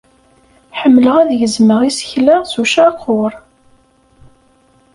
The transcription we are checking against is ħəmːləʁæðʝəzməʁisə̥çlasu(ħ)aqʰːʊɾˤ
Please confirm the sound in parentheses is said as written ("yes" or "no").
no